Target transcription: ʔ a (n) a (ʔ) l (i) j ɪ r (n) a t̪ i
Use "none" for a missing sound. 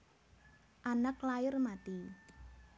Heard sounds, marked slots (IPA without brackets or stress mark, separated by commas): n, k, a, m